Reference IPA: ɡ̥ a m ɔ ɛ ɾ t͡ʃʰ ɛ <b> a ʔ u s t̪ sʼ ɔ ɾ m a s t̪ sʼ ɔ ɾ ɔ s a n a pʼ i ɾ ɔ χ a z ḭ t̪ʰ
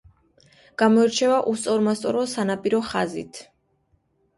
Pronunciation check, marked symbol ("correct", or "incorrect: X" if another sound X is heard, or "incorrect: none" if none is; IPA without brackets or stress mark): incorrect: v